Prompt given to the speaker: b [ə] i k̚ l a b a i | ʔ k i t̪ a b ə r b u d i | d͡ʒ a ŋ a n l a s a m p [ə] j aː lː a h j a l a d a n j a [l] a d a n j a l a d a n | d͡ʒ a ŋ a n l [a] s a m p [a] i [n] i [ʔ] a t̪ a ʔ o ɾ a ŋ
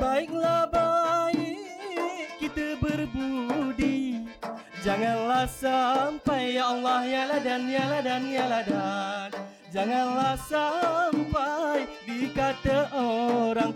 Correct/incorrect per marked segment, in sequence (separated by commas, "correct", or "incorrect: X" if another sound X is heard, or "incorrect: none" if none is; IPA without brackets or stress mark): incorrect: a, incorrect: a, correct, correct, correct, incorrect: d, incorrect: k